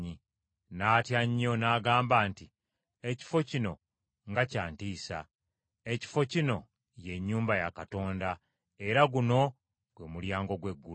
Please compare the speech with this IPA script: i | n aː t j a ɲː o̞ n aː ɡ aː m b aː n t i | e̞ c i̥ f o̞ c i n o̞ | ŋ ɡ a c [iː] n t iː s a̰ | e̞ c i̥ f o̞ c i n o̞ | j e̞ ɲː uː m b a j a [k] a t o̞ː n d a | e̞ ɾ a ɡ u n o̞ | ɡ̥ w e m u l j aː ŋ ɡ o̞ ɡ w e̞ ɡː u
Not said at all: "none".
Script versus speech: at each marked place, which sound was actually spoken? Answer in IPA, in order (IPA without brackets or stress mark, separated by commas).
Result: aː, k